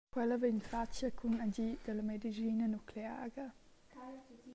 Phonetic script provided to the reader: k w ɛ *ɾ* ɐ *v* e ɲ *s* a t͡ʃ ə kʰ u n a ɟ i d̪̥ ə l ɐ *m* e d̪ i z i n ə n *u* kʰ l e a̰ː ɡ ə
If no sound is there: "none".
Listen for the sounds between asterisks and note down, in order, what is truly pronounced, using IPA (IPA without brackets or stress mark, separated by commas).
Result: l, v, f, m, u